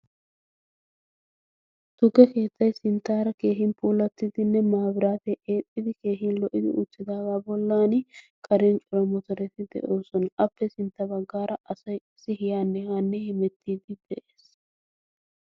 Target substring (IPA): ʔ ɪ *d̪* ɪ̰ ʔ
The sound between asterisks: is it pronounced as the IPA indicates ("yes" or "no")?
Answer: yes